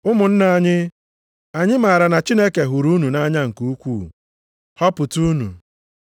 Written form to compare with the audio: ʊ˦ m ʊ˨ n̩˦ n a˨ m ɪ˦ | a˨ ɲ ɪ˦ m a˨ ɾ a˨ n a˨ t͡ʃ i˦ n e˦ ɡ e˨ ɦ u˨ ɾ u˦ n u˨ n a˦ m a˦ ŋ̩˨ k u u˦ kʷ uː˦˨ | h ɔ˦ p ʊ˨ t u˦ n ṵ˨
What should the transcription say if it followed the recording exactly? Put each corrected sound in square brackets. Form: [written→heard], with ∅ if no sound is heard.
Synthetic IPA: ʊ˦ m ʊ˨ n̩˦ n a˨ [m→ɲ] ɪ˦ | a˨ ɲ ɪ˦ m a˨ ɾ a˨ n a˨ t͡ʃ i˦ n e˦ [ɡ→k] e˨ ɦ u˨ ɾ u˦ n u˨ n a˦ [m→ɲ] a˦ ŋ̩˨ k u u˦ kʷ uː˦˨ | h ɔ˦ p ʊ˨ t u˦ n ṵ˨